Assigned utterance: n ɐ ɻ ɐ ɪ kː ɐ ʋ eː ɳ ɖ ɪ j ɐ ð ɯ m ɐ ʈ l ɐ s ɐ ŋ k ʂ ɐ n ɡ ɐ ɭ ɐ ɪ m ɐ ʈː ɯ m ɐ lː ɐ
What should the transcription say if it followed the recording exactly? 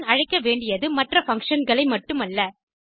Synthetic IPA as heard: n ɐ ɻ ɐ ɪ kː ɐ ʋ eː ɳ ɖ ɪ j ɐ ð ɯ m ɐ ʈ r ɐ f ɐ ŋ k ʂ ɐ n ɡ ɐ ɭ ɐ ɪ m ɐ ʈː ɯ m ɐ lː ɐ